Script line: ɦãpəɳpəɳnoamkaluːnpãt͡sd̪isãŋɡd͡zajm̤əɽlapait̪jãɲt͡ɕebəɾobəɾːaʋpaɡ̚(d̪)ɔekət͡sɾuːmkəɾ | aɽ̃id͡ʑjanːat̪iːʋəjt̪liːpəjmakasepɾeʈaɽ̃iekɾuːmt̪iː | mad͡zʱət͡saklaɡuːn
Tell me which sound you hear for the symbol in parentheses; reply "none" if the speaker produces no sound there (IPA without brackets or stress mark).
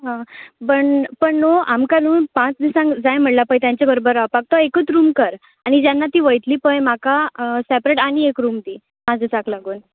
t̪